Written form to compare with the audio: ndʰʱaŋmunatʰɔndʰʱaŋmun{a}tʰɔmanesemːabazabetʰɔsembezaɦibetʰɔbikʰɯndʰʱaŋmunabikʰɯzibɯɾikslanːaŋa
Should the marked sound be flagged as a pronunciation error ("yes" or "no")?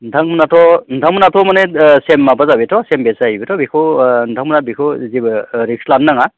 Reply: no